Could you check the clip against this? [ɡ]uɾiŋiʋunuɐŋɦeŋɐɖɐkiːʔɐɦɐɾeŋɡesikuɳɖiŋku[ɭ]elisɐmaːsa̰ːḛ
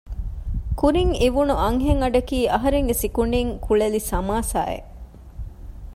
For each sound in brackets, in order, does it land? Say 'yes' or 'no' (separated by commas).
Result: no, yes